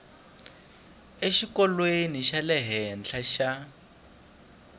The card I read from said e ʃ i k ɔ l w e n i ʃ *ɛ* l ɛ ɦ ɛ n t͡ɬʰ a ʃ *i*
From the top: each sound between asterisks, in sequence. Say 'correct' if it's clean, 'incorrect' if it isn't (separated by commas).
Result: incorrect, incorrect